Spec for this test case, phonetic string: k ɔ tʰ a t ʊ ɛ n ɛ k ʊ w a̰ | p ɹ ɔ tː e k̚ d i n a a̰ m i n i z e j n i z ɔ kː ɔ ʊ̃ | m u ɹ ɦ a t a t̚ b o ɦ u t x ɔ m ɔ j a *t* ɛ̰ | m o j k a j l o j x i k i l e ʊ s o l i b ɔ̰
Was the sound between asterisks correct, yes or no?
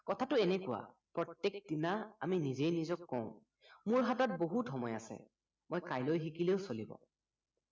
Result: no